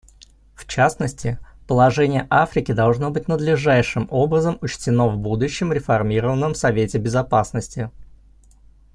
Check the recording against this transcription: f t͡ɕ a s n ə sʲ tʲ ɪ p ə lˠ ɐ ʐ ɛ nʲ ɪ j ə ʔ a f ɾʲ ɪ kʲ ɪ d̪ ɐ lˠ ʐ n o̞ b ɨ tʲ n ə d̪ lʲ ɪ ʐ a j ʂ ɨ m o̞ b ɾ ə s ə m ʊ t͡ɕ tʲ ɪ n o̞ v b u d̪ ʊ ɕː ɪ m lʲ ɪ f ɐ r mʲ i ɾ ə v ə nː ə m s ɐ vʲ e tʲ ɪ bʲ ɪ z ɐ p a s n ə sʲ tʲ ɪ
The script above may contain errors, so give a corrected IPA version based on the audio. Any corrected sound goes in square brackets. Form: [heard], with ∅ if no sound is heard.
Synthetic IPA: f t͡ɕ a s n ə sʲ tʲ ɪ p ə lˠ ɐ ʐ ɛ nʲ ɪ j ə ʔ a f ɾʲ ɪ kʲ ɪ d̪ ɐ lˠ ʐ n o̞ b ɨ tʲ n ə d̪ lʲ ɪ ʐ a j ʂ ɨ m o̞ b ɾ ə [z] ə m ʊ t͡ɕ tʲ ɪ n o̞ v b u d̪ ʊ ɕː ɪ m [ɾʲ] ɪ f ɐ r mʲ i ɾ ə v ə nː ə m s ɐ vʲ e tʲ ɪ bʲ ɪ z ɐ p a s n ə sʲ tʲ ɪ